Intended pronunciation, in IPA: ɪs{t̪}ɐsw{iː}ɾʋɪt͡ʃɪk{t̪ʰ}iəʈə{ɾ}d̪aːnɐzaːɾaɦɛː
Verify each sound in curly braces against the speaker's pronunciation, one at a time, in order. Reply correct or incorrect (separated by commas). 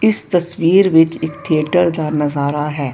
correct, correct, correct, correct